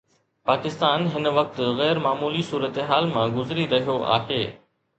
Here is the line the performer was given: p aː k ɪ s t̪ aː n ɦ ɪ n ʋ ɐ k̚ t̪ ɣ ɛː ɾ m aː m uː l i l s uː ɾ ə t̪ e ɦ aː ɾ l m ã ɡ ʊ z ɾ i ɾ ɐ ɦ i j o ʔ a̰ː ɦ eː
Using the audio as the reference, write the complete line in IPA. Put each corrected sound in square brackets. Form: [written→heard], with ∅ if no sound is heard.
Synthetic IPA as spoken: p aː k ɪ s t̪ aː n ɦ ɪ n ʋ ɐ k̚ t̪ ɣ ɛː ɾ m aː m uː l i [l→∅] s uː ɾ ə t̪ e ɦ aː [ɾ→∅] l m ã ɡ ʊ z ɾ i ɾ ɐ ɦ i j o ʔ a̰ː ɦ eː